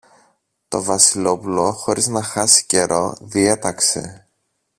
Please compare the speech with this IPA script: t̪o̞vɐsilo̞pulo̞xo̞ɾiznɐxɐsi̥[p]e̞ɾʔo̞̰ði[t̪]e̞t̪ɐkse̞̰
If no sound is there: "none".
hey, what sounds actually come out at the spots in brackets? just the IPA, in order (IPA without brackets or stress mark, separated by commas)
c, none